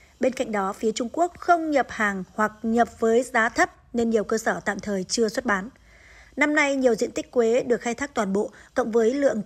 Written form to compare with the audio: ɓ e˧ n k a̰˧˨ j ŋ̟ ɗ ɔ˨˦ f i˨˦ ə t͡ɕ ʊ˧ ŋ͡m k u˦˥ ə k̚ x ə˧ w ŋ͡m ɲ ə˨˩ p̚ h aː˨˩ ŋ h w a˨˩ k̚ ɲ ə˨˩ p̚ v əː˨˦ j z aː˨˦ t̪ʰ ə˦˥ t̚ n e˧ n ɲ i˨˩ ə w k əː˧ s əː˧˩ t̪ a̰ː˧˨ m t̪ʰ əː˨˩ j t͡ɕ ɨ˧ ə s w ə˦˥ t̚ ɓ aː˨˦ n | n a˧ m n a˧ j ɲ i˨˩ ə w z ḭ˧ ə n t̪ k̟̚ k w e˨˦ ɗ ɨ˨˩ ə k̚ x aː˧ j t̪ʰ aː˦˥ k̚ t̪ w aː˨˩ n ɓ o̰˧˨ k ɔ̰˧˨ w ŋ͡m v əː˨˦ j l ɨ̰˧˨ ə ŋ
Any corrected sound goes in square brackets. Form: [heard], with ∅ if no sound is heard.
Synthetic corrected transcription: ɓ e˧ n k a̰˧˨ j ŋ̟ ɗ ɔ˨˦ f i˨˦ ə t͡ɕ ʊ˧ ŋ͡m k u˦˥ ə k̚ x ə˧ w ŋ͡m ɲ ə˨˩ p̚ h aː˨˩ ŋ h w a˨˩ k̚ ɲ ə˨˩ p̚ v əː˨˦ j z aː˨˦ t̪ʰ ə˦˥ [p̚] n e˧ n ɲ i˨˩ ə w k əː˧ s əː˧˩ t̪ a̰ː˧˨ m t̪ʰ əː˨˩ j t͡ɕ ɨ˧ ə s w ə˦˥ t̚ ɓ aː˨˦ n | n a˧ m n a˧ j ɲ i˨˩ ə w z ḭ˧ ə n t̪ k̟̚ k w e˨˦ ɗ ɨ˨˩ ə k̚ x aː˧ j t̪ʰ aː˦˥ k̚ t̪ w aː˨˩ n ɓ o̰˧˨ k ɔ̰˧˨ w ŋ͡m v əː˨˦ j l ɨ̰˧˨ ə ŋ